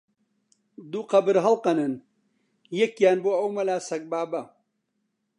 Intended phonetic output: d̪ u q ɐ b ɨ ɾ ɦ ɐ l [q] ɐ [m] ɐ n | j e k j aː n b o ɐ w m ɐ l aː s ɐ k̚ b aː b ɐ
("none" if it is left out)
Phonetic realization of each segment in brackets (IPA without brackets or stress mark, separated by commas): q, n